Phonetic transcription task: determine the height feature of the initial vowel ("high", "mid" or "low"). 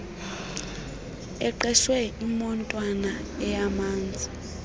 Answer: mid